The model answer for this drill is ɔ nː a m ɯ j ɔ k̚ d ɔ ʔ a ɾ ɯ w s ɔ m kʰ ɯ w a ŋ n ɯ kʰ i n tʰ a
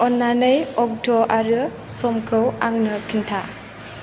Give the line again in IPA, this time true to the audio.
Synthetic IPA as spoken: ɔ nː a n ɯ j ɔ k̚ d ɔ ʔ a ɾ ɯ s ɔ m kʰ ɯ w a ŋ n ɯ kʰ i n tʰ a